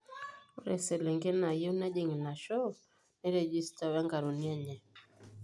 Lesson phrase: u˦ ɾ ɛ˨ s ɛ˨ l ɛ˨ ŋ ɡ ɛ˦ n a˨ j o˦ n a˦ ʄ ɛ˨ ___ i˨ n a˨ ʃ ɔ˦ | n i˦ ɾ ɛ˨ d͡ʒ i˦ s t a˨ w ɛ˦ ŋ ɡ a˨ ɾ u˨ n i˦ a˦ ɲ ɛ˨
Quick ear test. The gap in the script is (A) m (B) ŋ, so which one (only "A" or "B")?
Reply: B